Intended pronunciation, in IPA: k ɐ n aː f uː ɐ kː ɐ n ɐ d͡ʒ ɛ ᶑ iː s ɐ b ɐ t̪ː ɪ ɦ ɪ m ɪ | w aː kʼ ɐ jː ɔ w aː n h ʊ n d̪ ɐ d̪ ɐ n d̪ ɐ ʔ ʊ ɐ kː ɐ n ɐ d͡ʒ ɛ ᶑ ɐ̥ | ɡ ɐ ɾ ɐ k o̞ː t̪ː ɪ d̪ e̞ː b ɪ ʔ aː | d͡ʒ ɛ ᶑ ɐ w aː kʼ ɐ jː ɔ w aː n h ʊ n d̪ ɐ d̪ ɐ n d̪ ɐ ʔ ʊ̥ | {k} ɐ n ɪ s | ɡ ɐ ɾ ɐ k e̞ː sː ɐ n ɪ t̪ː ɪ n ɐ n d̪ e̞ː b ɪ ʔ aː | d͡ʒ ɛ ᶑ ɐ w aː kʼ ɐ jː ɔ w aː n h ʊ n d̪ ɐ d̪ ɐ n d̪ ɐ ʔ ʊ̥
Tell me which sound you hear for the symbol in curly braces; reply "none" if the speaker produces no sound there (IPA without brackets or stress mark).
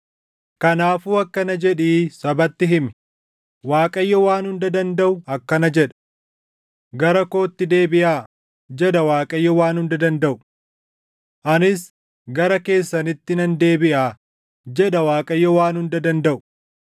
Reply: ʔ